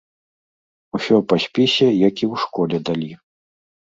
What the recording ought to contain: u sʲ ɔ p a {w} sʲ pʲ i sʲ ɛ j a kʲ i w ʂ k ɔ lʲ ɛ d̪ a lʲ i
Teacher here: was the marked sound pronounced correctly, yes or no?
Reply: no